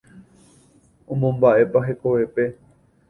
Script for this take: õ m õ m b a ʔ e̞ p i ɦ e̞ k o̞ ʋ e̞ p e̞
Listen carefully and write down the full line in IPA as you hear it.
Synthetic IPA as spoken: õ m õ m b a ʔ e̞ p a ɦ e̞ k o̞ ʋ e̞ p e̞